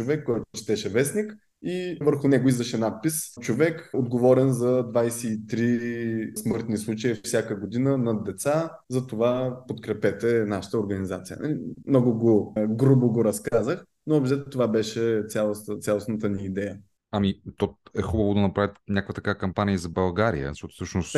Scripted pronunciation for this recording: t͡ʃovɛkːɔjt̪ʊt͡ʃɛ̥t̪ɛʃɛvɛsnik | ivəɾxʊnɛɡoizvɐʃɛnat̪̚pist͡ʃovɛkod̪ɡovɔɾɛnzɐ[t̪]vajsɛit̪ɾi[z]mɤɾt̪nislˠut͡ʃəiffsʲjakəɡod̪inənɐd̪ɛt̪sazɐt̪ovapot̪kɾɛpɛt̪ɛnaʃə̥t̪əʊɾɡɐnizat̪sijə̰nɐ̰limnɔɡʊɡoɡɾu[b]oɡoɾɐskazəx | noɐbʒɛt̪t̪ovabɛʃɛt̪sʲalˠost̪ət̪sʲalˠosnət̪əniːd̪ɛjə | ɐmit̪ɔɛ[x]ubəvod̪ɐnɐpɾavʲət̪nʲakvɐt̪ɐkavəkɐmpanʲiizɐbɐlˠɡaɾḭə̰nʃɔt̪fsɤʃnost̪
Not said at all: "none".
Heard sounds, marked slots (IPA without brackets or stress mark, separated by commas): d̪, s, b, x